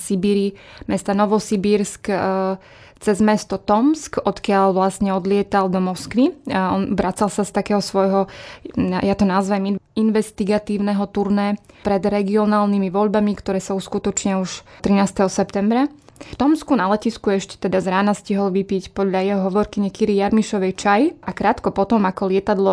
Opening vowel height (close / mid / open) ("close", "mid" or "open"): close